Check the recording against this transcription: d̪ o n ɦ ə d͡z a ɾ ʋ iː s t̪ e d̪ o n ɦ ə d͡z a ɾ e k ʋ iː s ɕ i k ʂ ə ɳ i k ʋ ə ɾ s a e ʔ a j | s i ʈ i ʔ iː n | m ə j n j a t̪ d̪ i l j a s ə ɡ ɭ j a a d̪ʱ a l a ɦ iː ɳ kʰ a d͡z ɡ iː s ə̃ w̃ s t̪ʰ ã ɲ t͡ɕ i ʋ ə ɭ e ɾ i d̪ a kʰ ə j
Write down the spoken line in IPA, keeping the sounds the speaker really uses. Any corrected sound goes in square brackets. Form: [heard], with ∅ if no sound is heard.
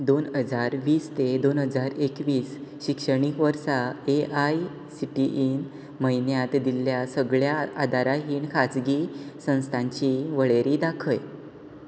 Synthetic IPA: d̪ o n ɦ ə d͡z a ɾ ʋ iː s t̪ e d̪ o n ɦ ə d͡z a ɾ e k ʋ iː s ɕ i k ʂ ə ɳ i k ʋ ə ɾ s a e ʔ a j | s i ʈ i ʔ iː n | m ə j n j a t̪ d̪ i l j a s ə ɡ ɭ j a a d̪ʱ a [ɾ] a ɦ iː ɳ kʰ a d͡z ɡ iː s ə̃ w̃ s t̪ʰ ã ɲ t͡ɕ i ʋ ə ɭ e ɾ i d̪ a kʰ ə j